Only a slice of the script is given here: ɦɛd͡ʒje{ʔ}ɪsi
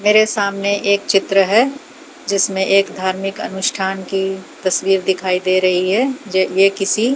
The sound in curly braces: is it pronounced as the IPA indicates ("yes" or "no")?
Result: no